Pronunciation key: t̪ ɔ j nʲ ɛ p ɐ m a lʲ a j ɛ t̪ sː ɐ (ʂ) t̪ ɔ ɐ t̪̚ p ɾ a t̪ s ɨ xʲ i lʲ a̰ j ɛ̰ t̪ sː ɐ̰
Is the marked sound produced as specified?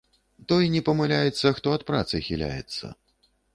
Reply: no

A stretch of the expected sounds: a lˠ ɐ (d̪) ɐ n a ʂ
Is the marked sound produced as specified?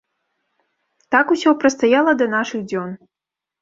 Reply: yes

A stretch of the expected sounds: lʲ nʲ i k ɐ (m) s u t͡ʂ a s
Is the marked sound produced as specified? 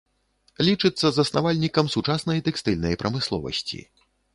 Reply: yes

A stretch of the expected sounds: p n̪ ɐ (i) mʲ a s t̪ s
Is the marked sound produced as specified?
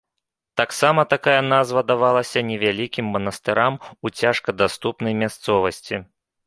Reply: no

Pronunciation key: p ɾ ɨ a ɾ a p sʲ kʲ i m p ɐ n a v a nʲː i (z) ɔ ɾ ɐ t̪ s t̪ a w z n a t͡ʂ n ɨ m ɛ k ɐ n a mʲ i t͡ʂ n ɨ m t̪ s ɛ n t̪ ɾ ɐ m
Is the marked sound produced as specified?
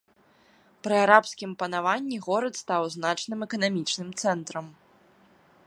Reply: no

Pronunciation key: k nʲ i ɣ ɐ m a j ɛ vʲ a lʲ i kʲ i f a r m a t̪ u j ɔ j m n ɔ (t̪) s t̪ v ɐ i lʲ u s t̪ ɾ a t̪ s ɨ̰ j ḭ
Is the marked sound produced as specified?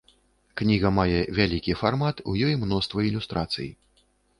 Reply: no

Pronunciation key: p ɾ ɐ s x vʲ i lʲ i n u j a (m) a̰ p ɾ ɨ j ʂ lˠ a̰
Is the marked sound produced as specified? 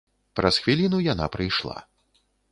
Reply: no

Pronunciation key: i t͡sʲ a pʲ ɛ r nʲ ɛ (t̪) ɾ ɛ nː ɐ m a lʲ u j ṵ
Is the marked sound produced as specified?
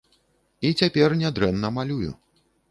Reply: no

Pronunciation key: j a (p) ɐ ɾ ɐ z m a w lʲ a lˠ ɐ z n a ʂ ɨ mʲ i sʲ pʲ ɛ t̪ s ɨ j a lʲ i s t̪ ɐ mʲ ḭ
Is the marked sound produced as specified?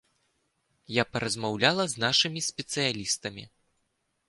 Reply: yes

